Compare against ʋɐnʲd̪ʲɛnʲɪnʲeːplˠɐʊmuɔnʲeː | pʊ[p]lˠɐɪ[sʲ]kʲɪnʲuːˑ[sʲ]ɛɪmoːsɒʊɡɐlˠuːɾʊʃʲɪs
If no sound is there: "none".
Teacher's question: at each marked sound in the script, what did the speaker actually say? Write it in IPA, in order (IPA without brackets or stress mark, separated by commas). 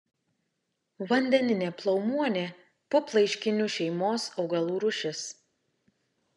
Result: p, ʃʲ, ʃʲ